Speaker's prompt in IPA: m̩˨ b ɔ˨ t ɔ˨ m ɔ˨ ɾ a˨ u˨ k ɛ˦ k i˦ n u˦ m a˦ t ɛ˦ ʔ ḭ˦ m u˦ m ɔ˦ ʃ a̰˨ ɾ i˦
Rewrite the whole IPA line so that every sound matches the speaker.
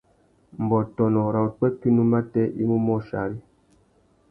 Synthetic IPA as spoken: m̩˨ b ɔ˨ t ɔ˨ n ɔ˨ ɾ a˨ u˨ k͡p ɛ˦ k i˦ n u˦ m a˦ t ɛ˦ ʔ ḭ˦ m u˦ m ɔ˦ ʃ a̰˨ ɾ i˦